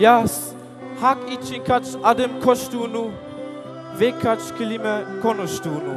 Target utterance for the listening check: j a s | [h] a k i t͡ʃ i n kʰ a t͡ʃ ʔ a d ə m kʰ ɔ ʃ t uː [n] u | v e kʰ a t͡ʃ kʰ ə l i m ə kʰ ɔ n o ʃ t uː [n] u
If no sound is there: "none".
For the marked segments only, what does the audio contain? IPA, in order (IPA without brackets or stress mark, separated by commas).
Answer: h, n, n